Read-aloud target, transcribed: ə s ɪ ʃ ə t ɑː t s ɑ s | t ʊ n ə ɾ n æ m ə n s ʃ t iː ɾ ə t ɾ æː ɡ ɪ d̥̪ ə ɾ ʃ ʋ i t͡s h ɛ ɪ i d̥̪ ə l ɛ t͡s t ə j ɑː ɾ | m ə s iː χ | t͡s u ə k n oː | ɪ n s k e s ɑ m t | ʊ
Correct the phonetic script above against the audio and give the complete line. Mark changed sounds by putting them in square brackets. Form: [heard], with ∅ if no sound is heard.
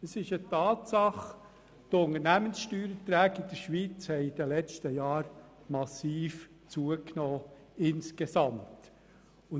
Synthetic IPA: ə s ɪ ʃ ə t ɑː t s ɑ [χ] | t ʊ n ə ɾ n æ m ə n s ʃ t [yː] ɾ ə t ɾ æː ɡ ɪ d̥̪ ə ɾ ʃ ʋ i t͡s h ɛ ɪ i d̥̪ ə l ɛ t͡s t ə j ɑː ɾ | m [ɑ] s iː [f] | t͡s u ə k n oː | ɪ n s k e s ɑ m t | ʊ